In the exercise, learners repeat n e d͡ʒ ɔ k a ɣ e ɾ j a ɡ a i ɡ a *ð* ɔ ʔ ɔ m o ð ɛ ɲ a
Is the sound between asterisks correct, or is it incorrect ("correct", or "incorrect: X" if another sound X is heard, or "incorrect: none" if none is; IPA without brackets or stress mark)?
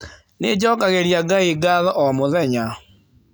correct